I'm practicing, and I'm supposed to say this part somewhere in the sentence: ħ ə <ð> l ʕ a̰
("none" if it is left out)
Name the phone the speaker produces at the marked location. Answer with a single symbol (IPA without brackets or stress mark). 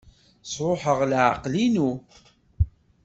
ʁ